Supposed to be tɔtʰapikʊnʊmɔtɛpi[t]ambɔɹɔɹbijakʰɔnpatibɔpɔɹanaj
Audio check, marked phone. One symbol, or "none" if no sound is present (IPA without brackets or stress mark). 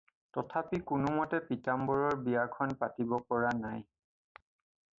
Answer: t